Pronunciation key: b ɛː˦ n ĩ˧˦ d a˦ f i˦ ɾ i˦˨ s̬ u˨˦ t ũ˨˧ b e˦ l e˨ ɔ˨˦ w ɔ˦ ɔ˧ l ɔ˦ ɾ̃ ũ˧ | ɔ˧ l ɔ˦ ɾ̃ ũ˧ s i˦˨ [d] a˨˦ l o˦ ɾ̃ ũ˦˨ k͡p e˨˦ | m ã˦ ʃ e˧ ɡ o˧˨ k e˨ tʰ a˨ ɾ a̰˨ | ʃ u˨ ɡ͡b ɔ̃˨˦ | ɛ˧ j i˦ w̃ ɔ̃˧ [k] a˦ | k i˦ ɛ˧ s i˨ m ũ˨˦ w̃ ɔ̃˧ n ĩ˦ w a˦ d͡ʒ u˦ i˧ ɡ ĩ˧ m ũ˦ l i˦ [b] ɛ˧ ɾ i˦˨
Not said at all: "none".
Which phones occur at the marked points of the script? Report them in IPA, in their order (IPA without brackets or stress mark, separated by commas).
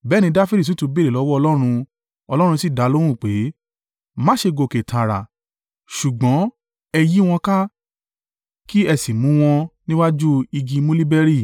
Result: d, k, b